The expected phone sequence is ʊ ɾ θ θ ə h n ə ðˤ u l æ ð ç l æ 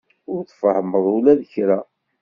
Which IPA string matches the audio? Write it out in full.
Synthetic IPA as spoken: ʊ ɾ θ f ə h m ə ðˤ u l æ ð ç ɾ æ